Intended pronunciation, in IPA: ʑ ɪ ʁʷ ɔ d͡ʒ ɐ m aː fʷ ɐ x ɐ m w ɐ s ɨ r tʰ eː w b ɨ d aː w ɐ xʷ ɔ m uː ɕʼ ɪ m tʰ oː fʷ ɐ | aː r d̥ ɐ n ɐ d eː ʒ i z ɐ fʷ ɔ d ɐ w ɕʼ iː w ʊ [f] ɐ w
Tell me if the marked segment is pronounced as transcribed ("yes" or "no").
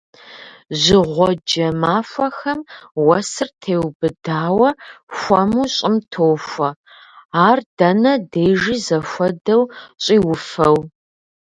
yes